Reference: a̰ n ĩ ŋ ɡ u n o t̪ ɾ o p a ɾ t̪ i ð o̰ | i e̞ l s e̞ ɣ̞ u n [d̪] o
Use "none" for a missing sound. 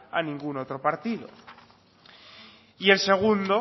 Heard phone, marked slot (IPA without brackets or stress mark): d̪